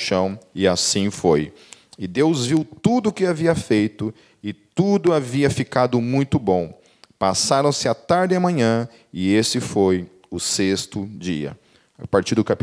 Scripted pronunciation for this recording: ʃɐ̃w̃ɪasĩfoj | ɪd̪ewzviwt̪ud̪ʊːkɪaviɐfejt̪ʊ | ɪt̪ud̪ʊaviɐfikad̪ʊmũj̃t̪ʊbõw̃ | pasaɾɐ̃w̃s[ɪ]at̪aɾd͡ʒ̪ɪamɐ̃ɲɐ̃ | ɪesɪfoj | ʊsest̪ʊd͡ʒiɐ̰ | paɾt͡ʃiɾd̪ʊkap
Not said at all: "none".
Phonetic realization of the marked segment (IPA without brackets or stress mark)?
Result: ɪ